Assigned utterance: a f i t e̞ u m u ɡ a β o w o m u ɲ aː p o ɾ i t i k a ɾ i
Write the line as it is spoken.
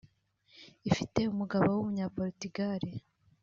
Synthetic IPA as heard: i f i t e̞ u m u ɡ a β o w u m u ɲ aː p o ɾ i t i ɡ a ɾ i